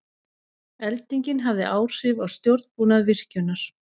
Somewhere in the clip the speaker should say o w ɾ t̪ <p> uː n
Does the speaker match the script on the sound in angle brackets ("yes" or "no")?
yes